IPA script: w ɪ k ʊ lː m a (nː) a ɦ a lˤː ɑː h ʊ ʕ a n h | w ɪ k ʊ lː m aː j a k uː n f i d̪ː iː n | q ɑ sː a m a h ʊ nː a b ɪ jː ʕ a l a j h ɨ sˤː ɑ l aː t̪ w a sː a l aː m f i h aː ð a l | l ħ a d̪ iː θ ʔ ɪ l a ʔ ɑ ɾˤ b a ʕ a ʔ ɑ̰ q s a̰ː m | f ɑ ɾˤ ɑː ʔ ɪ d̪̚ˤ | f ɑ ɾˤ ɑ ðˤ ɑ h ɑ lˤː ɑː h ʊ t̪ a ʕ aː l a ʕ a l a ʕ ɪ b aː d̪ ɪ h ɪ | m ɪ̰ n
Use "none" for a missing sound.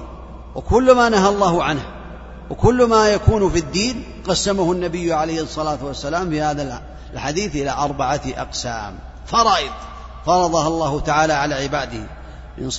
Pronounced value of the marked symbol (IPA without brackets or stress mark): n